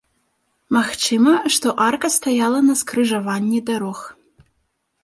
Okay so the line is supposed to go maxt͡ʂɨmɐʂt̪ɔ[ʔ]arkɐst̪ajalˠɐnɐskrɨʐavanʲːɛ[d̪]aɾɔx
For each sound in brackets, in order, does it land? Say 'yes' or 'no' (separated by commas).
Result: yes, yes